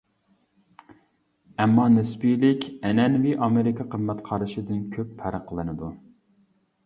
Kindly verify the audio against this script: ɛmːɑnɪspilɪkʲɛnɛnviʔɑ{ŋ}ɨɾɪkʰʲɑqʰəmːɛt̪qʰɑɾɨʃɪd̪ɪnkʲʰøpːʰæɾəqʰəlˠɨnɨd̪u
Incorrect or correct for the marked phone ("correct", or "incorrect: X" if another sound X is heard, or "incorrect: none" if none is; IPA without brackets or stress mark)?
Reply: incorrect: m